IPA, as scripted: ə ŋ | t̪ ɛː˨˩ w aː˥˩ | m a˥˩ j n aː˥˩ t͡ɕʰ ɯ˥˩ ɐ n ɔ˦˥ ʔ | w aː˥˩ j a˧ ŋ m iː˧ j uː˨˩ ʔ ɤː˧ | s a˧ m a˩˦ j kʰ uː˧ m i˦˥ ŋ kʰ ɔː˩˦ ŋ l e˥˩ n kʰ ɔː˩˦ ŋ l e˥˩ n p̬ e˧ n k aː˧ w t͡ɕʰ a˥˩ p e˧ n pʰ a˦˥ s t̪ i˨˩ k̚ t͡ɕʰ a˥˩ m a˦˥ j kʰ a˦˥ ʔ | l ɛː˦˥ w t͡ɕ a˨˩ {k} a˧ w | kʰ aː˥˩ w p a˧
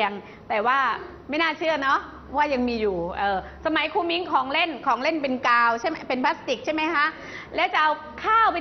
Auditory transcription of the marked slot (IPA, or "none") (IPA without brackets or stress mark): ʔ